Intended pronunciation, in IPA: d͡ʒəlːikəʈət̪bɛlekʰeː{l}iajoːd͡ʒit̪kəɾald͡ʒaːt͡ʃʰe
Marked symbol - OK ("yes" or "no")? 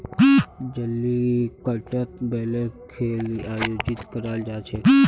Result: yes